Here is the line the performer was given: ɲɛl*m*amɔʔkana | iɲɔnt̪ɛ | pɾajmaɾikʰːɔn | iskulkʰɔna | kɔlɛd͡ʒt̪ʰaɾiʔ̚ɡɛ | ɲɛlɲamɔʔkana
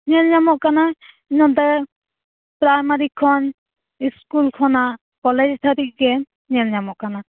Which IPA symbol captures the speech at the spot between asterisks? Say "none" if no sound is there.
ɲ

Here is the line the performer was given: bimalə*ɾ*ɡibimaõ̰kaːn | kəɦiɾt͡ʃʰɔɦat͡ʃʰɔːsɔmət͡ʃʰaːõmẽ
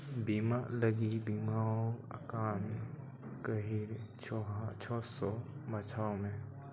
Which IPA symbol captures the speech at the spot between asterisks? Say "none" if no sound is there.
none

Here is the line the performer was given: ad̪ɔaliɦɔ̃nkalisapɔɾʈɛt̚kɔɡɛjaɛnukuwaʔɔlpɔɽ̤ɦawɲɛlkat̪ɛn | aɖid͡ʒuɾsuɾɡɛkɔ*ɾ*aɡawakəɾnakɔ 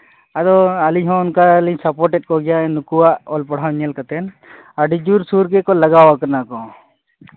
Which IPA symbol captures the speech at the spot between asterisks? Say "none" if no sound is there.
l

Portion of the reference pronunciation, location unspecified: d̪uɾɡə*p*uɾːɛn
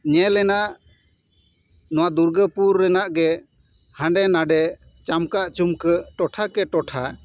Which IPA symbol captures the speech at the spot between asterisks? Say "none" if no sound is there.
p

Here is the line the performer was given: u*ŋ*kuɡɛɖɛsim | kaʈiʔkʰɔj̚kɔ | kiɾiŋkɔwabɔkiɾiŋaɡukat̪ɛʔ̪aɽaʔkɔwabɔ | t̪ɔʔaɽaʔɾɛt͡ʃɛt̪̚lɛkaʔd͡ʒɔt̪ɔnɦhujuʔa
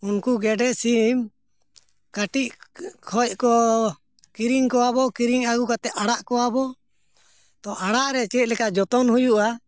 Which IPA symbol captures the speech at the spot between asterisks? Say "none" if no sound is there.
n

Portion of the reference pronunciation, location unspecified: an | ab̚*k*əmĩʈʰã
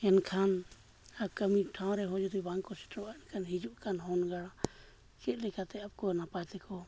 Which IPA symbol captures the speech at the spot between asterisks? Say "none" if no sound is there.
k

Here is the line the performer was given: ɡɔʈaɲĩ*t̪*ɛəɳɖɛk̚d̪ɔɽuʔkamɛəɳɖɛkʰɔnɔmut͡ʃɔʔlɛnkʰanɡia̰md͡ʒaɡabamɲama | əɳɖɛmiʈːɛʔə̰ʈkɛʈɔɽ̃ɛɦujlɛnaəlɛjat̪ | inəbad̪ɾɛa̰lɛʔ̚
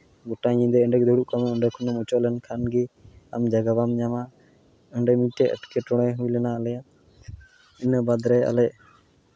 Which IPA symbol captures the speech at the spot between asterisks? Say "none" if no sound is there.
d̪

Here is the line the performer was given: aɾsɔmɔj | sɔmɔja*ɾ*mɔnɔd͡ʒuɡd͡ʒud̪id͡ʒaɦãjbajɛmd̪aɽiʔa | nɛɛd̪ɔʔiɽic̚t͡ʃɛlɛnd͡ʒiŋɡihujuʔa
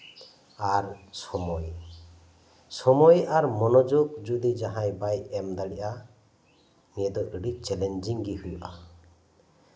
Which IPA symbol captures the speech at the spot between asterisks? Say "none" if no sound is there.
ɾ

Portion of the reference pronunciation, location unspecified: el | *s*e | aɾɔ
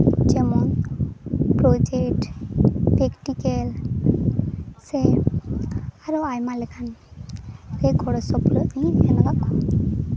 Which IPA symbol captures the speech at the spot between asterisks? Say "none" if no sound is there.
s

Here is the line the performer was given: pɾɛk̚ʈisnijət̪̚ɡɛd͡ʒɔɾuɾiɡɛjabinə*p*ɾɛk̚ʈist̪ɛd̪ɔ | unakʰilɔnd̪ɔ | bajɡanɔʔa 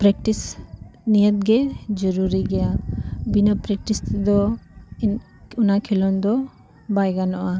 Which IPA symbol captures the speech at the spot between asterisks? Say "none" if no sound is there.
p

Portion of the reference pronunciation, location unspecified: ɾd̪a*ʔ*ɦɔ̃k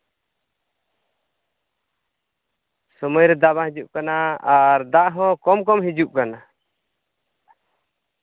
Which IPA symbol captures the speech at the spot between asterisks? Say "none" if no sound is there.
ʔ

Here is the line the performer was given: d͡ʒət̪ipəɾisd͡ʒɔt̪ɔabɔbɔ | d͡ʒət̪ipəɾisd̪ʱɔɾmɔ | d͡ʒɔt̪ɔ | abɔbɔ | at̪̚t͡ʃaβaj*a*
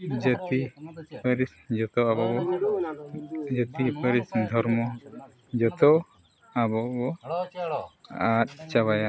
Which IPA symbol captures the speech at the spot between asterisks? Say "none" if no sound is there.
a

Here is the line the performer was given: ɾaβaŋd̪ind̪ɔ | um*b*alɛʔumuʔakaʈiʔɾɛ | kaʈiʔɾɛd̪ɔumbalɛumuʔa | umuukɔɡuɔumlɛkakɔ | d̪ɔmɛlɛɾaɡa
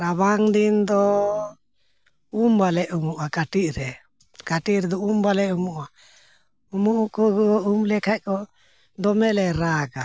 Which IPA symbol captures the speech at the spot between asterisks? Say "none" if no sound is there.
b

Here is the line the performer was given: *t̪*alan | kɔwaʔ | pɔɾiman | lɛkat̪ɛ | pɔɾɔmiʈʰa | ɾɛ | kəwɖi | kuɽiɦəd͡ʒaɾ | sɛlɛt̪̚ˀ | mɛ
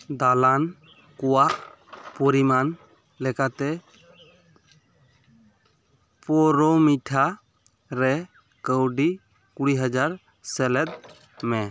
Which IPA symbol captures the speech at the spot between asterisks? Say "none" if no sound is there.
d̪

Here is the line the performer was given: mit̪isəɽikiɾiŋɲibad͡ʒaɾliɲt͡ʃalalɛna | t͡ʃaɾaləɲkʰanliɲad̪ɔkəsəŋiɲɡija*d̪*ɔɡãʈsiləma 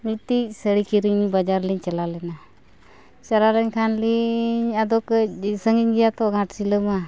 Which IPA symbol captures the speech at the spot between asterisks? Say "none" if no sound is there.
t̪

